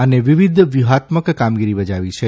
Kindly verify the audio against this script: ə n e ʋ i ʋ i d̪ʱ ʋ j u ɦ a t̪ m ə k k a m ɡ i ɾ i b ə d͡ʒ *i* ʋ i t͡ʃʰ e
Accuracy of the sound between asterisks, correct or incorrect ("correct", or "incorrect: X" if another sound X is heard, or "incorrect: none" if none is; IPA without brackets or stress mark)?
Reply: incorrect: a